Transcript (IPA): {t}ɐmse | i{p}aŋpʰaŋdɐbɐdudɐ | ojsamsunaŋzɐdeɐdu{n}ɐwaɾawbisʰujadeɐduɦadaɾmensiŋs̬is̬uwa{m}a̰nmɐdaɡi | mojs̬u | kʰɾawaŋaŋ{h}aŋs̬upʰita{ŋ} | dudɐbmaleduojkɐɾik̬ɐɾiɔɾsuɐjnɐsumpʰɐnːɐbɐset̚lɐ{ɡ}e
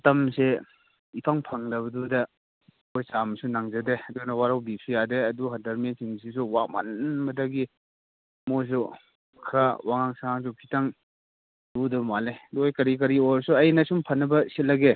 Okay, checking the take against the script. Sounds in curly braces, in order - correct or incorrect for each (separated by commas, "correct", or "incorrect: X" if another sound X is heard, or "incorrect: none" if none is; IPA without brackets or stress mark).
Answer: correct, incorrect: pʰ, correct, correct, incorrect: s, correct, correct